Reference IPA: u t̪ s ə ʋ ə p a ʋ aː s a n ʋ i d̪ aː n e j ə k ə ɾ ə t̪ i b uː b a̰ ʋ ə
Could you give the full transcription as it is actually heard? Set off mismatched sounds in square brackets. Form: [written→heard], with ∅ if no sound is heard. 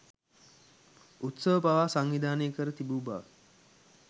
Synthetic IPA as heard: u t̪ s ə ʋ ə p a ʋ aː s a [n→ŋ] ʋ i d̪ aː n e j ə k ə ɾ ə t̪ i b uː b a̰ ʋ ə